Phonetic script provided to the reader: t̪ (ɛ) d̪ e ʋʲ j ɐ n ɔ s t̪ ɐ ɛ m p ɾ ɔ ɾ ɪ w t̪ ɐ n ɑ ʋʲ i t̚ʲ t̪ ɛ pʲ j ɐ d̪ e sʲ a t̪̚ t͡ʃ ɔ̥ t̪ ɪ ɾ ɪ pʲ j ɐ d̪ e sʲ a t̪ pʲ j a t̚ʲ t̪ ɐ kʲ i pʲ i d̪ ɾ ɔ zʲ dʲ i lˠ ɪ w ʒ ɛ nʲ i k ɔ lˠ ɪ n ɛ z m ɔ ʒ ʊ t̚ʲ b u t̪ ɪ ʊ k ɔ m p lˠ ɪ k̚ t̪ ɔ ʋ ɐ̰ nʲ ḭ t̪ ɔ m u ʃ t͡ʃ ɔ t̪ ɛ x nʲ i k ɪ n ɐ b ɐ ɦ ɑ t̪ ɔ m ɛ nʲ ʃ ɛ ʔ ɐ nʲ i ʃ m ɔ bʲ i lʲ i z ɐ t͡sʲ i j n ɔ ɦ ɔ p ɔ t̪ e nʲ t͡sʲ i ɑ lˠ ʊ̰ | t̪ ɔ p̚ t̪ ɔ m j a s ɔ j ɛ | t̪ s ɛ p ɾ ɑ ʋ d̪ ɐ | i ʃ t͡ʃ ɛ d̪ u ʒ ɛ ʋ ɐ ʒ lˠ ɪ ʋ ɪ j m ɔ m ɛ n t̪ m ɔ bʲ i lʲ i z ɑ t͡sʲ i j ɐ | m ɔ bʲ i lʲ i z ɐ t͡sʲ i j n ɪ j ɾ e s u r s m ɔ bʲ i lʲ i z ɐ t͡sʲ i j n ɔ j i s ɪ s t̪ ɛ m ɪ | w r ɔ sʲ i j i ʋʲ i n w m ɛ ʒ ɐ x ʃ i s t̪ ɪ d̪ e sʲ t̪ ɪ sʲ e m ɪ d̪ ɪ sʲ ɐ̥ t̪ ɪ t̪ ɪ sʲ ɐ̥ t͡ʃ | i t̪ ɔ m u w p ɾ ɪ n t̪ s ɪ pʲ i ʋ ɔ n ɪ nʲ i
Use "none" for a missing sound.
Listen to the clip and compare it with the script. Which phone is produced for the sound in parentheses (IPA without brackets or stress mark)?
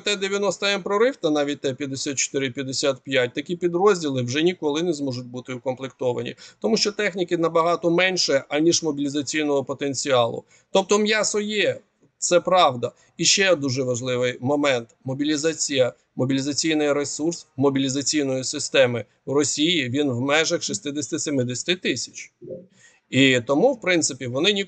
ɛ